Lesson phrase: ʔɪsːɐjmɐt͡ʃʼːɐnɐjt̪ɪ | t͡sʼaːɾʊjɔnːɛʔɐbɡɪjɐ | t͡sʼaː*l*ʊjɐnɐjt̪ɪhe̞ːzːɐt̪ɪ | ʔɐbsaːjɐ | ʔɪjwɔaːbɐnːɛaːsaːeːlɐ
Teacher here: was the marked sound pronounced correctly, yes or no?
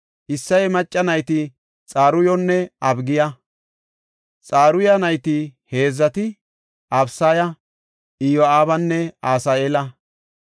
no